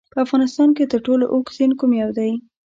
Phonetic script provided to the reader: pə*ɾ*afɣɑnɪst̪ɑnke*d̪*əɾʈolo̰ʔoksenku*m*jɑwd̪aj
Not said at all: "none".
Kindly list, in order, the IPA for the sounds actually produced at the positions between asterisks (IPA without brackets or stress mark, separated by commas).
none, t̪, m